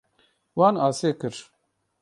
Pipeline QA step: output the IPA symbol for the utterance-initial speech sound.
w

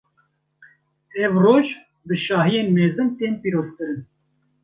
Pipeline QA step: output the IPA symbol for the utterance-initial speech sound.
ɛ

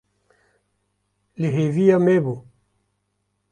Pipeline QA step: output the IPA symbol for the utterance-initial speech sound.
l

